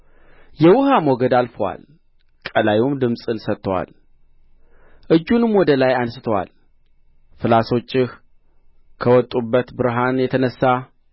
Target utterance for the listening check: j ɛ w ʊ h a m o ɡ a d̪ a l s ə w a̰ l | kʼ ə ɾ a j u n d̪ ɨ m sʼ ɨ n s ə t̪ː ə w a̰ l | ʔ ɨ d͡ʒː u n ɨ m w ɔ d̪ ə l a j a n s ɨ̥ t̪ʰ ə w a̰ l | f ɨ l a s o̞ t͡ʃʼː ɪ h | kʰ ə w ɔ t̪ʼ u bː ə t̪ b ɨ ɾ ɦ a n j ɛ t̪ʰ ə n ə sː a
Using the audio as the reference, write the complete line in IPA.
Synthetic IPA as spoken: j ɛ w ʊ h a m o ɡ ə d̪ a l f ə w a̰ l | kʼ ə l a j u m d̪ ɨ m sʼ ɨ n s ə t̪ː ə w a̰ l | ʔ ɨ d͡ʒː u n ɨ m w ɔ d̪ ə l a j a n s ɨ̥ t̪ʰ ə w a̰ l | f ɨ l a s o̞ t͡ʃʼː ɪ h | kʰ ə w ɔ t̪ʼ u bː ə t̪ b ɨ ɾ ɦ a n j ɛ t̪ʰ ə n ə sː a

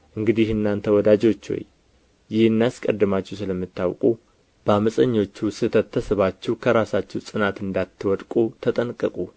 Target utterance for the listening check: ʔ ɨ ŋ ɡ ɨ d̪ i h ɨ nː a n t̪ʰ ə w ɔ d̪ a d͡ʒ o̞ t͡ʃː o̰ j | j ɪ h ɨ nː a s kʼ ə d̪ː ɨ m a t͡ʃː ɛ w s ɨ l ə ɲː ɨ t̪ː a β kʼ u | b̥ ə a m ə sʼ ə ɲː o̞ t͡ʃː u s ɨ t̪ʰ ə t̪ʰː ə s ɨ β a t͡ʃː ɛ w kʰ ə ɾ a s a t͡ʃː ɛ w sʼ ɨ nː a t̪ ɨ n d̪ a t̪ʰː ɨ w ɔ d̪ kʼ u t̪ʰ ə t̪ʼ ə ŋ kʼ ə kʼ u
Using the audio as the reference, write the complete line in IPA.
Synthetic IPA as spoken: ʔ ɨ ŋ ɡ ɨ d̪ i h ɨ nː a n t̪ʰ ə w ɔ d̪ a d͡ʒ o̞ t͡ʃː o̰ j | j ɪ h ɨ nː a s kʼ ə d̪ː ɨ m a t͡ʃː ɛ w s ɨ l ə mː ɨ t̪ː a w kʼ u | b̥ ə a m ə sʼ ə ɲː o̞ t͡ʃː u s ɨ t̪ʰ ə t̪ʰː ə s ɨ β a t͡ʃː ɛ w kʰ ə ɾ a s a t͡ʃː ɛ w sʼ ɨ n a t̪ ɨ n d̪ a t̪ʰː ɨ w ɔ d̪ kʼ u t̪ʰ ə t̪ʼ ə n kʼ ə kʼ u

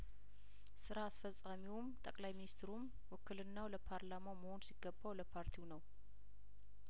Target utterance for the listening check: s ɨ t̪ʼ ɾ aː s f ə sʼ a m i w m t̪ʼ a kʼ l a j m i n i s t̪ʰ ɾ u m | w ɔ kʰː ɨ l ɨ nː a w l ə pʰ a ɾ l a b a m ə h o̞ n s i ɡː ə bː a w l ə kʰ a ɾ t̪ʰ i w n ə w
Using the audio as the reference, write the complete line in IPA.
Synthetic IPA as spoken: s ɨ ɾ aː s f ə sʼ a m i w m t̪ʼ ə kʼ l a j m i n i s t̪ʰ ɾ u m | w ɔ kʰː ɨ l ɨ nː a w l ə pʰ a ɾ l a m a m ə h o̞ n s i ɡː ə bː a w l ə pʰ a ɾ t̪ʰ i w n ə w

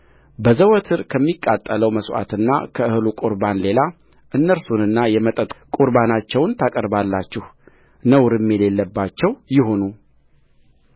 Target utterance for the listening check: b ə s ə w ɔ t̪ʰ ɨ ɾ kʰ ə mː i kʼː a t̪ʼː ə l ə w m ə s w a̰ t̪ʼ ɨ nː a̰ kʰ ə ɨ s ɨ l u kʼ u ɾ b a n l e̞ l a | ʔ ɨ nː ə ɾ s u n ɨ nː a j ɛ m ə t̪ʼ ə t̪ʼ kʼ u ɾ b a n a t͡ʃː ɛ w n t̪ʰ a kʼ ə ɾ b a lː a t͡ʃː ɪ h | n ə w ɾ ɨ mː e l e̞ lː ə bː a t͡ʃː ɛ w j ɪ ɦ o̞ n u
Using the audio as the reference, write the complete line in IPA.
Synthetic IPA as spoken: b ə z ə w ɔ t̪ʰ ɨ ɾ kʰ ə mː i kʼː a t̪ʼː ə l ə w m ə s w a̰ t̪ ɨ nː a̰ kʰ ə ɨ h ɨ l u kʼ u ɾ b a n l e̞ l a | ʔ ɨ nː ə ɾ s u n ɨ nː a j ɛ m ə t̪ʼ ə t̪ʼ kʼ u ɾ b a n a t͡ʃː ɛ w n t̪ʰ a kʼ ə ɾ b a lː a t͡ʃː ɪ h | n ə w ɾ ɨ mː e l e̞ lː ə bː a t͡ʃː ɛ w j ɪ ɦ o̞ n u

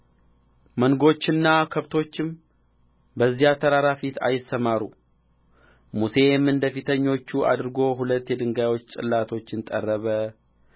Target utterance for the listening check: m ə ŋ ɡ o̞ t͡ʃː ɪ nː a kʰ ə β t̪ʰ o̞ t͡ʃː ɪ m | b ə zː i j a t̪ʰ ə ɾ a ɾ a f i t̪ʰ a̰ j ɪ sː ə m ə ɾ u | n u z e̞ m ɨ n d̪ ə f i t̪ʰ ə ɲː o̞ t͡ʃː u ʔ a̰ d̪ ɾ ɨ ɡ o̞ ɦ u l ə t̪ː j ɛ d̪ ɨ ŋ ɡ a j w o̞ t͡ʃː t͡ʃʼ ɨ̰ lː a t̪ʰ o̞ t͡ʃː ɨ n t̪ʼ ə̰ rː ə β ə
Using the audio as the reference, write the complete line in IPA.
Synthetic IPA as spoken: m ə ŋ ɡ o̞ t͡ʃː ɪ nː a kʰ ə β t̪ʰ o̞ t͡ʃː ɪ m | b ə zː i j a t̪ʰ ə ɾ a ɾ a f i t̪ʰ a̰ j ɪ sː ə m a ɾ u | m u s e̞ m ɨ n d̪ ə f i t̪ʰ ə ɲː o̞ t͡ʃː u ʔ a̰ d̪ ɾ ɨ ɡ o̞ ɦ u l ə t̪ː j ɛ d̪ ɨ ŋ ɡ a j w o̞ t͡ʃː t͡ʃʼ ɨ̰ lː a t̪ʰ o̞ t͡ʃː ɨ n t̪ʼ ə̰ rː ə β ə

